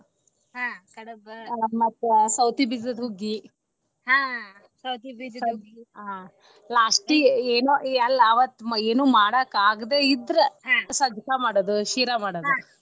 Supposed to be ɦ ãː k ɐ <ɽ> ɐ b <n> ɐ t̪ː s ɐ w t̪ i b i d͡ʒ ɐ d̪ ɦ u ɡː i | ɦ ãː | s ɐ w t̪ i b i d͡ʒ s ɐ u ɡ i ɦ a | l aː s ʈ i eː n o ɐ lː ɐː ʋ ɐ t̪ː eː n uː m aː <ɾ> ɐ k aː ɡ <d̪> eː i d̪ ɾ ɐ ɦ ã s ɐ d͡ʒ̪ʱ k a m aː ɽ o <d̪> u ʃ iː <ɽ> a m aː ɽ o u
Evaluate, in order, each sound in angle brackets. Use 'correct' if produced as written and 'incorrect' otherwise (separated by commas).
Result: correct, incorrect, incorrect, correct, correct, incorrect